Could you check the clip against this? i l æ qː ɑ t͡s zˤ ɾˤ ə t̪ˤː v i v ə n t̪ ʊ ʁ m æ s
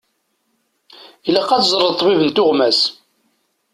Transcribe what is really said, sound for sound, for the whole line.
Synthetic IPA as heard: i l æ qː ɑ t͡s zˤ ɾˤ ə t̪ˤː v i v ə n t̪ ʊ ʁ m æ s